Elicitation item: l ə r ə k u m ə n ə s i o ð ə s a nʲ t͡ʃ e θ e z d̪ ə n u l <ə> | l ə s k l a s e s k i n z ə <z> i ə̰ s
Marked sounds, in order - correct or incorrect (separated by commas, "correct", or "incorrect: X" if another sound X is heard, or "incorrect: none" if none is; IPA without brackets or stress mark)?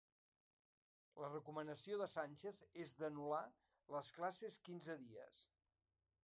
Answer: incorrect: a, incorrect: ð